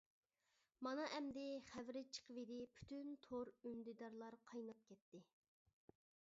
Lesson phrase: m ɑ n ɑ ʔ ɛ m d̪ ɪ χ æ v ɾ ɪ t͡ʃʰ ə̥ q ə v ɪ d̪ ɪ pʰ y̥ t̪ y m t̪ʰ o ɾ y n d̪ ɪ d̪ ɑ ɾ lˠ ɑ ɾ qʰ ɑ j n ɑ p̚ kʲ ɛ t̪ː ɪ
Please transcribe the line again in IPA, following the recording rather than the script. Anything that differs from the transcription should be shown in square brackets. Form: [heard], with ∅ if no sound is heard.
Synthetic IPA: m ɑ n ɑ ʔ ɛ m d̪ ɪ χ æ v ɾ ɪ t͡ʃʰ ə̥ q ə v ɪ d̪ ɪ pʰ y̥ t̪ y [n] t̪ʰ o ɾ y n d̪ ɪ d̪ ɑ ɾ lˠ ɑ ɾ qʰ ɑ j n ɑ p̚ kʲ ɛ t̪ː ɪ